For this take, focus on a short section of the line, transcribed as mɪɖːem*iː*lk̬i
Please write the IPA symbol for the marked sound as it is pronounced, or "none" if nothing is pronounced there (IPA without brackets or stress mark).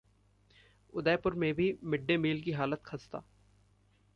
iː